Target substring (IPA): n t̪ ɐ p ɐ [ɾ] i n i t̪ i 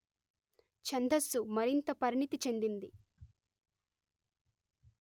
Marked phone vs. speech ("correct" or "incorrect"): correct